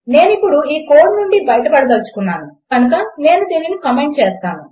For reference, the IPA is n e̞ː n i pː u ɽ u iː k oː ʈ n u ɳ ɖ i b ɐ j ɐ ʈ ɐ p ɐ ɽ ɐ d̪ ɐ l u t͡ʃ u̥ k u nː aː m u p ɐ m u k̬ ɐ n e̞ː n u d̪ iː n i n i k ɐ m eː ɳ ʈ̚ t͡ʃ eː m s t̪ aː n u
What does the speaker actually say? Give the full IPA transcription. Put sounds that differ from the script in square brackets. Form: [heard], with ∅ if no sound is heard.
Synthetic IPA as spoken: n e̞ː n i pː u ɽ u iː k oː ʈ n u ɳ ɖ i b ɐ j ɐ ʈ ɐ p ɐ ɽ ɐ d̪ ɐ l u t͡ʃ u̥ k u nː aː [n] u [k] ɐ [n] u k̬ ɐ n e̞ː n u d̪ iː n i n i k ɐ m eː ɳ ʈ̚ t͡ʃ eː [∅] s t̪ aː n u